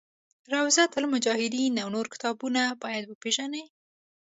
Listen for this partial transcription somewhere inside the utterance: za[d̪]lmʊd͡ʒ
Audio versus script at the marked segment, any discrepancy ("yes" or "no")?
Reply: yes